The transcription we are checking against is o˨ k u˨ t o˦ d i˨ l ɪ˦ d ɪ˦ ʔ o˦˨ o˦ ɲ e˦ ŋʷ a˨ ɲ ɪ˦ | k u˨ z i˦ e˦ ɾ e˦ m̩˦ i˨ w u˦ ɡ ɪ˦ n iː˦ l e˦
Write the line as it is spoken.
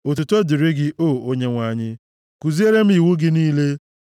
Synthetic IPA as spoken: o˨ t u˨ t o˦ d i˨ ɾ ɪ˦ ɡ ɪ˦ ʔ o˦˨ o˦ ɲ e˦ ŋʷ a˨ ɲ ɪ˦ | k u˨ z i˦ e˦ ɾ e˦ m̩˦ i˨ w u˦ ɡ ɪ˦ n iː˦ l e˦